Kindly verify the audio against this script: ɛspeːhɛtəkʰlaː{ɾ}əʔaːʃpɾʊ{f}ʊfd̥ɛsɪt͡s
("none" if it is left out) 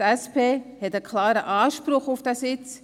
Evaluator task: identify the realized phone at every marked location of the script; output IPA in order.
ɾ, χ

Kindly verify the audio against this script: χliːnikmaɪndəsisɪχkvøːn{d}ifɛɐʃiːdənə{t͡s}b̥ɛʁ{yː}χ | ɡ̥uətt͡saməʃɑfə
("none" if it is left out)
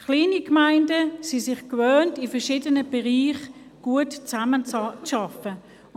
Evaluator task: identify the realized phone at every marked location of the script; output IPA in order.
t, none, iː

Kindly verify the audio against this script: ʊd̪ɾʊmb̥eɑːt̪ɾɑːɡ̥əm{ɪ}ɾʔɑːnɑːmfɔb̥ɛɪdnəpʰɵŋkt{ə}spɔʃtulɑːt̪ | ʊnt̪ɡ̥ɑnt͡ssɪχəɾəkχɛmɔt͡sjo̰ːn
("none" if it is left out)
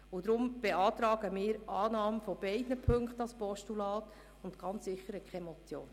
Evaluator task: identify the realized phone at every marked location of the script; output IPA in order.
ɪː, ɑ

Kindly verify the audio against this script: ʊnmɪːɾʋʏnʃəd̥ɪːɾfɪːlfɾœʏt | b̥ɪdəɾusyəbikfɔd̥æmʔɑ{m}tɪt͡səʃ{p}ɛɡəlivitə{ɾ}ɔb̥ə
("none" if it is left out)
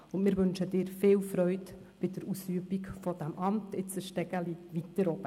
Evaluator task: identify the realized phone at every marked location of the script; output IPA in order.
m, t, ɾ

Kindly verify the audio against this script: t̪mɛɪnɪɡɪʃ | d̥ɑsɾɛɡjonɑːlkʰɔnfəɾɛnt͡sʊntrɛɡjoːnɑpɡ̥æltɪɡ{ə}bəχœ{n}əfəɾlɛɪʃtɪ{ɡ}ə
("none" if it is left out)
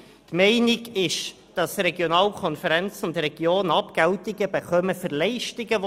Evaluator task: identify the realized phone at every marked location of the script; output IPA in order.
ə, m, ɡ

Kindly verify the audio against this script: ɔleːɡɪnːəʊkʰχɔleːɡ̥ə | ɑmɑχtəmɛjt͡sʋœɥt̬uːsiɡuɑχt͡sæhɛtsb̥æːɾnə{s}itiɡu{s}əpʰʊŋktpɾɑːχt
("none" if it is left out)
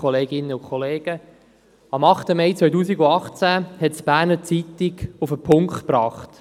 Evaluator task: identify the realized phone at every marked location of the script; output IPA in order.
t͡s, f

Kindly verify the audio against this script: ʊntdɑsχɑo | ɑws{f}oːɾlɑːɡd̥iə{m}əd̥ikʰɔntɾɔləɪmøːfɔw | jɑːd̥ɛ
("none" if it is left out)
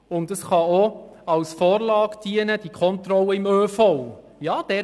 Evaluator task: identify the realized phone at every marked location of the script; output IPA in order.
f, n

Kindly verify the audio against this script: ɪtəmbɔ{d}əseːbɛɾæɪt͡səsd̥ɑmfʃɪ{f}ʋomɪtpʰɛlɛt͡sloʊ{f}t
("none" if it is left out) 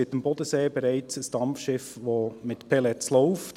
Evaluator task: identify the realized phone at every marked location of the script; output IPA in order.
d, f, f

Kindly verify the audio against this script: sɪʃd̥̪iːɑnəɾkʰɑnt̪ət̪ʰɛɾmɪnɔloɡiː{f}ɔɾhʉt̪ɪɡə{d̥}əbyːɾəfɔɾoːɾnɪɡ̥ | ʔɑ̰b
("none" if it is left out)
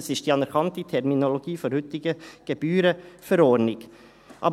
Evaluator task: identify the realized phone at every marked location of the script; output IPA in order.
f, ɡ̥

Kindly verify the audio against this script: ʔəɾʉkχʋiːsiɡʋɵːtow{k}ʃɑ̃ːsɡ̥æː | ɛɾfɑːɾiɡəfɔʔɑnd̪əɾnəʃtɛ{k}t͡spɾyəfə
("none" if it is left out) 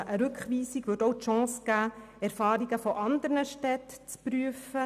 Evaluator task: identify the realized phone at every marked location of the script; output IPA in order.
t, t

